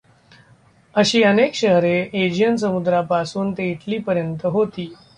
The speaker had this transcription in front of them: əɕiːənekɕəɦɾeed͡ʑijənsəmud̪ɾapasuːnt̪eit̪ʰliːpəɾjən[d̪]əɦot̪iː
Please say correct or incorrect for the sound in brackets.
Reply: incorrect